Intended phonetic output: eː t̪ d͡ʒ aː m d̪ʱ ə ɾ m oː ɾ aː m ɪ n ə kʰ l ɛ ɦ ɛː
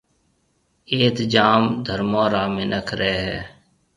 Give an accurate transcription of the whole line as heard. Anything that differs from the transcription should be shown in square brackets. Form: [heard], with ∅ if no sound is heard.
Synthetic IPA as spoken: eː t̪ d͡ʒ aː m d̪ʱ ə ɾ m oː ɾ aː m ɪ n ə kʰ [ɾ] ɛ ɦ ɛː